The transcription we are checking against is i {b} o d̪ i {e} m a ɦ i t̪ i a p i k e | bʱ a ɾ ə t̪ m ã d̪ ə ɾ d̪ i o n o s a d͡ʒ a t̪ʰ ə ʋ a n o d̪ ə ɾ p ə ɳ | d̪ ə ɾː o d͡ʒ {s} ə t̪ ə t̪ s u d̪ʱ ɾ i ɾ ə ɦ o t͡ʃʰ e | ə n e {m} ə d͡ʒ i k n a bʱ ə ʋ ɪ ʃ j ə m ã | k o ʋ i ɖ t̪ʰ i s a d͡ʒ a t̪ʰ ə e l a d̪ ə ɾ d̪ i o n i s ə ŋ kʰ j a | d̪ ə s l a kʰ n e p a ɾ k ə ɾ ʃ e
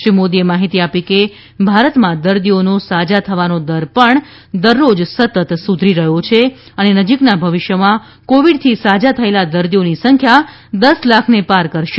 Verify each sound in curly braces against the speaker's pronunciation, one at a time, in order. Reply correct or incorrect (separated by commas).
incorrect, correct, correct, incorrect